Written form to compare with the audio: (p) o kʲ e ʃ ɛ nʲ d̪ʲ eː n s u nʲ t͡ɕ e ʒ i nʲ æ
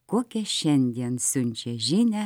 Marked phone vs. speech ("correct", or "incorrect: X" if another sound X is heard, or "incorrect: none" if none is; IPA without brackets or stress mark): incorrect: k